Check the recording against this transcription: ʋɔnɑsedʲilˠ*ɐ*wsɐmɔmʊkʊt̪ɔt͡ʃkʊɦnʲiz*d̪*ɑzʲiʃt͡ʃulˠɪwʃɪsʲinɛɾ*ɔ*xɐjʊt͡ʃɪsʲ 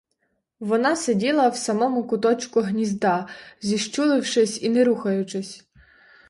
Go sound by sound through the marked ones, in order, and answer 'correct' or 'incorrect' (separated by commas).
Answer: correct, correct, incorrect